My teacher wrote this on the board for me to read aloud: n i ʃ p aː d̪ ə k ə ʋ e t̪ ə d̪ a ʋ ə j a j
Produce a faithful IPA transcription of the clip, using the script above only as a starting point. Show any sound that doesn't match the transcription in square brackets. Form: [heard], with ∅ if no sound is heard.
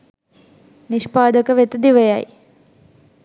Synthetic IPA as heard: n i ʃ p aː d̪ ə k ə ʋ e t̪ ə d̪ [i] ʋ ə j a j

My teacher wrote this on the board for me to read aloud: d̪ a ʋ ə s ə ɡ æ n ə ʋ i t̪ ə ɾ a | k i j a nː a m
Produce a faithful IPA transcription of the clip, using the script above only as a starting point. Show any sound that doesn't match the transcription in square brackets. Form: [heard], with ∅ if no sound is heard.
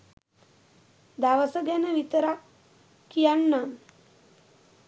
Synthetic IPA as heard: d̪ a ʋ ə s ə ɡ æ n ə ʋ i t̪ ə ɾ a | k i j a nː a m

